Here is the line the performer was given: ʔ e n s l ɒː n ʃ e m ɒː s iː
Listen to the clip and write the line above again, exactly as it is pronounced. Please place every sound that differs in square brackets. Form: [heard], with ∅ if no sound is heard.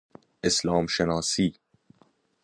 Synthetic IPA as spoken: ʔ e [∅] s l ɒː [m] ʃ e [n] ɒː s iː